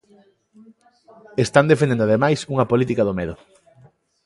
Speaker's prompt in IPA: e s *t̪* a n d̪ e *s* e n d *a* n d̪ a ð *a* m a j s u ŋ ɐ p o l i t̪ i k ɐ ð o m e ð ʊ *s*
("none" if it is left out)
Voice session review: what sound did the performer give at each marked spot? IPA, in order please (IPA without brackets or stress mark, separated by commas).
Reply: t̪, f, e, e, none